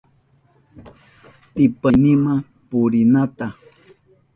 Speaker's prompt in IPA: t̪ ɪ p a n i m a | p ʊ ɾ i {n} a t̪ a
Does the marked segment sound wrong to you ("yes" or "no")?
no